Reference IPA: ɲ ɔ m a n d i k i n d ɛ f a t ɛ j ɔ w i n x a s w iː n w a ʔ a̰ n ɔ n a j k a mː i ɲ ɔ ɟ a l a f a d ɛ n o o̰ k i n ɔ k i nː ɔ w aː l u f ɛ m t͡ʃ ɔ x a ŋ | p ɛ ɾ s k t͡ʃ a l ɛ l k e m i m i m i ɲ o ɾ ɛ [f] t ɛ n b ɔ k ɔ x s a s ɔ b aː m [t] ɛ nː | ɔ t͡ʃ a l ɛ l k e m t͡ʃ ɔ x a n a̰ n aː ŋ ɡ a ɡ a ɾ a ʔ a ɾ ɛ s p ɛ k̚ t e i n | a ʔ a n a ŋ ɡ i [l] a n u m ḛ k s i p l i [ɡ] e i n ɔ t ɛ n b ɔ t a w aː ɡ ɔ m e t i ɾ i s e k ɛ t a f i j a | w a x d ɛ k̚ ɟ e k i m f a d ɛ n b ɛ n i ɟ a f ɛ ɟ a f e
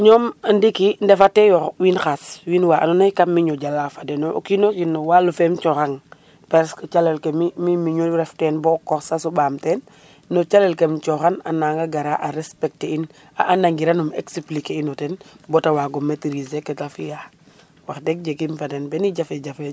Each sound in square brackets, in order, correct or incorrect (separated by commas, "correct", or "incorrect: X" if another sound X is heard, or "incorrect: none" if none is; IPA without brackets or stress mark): correct, correct, incorrect: ɾ, incorrect: k